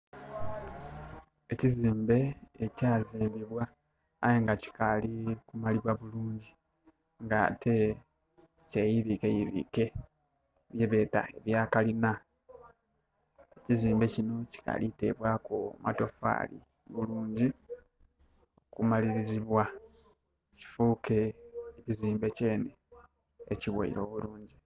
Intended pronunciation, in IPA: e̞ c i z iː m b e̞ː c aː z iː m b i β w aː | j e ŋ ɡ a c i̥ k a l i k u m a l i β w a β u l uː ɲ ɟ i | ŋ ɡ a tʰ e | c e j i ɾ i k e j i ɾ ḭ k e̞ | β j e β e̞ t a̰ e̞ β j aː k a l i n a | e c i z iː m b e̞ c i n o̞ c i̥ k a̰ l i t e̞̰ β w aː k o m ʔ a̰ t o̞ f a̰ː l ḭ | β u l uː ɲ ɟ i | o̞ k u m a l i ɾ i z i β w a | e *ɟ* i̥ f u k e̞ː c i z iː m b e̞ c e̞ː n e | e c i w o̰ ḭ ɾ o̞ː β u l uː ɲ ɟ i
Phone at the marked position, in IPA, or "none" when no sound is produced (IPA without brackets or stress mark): c